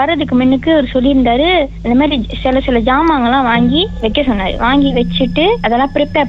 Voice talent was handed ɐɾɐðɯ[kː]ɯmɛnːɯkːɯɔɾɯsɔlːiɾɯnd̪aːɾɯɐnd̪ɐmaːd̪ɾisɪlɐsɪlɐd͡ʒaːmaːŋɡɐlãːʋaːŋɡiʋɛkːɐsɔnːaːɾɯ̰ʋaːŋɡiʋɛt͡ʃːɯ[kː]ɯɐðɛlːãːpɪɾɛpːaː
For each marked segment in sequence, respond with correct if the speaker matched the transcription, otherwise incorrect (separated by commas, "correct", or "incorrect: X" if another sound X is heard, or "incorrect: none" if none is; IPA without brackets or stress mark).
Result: correct, incorrect: ʈː